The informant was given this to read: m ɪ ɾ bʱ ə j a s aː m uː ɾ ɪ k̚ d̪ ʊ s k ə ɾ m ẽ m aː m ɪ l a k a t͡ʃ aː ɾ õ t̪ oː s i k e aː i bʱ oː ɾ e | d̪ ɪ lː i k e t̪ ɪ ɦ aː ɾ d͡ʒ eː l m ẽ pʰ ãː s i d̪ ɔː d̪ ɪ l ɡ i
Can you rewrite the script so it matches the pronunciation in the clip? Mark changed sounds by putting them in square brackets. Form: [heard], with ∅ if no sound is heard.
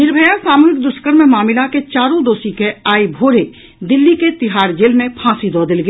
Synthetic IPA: [n] ɪ ɾ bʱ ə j a s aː m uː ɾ ɪ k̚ d̪ ʊ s k ə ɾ m ẽ m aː m ɪ l a k [e] t͡ʃ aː ɾ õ [d̪] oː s i k e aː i bʱ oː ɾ e | d̪ ɪ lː i k e t̪ ɪ ɦ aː ɾ d͡ʒ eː l m ẽ pʰ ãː s i d̪ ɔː d̪ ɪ l ɡ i